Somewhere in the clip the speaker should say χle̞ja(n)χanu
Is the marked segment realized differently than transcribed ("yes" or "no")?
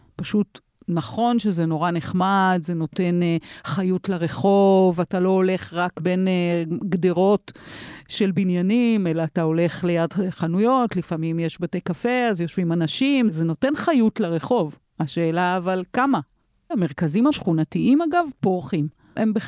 yes